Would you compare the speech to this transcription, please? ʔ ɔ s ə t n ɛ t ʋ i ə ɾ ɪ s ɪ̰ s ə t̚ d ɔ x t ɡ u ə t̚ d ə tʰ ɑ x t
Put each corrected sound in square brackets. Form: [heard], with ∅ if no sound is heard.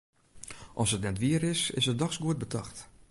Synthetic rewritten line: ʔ ɔ s ə t n ɛ t ʋ i ə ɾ ɪ s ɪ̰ s ə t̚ d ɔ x [s] ɡ u ə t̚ [b] ə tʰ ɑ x t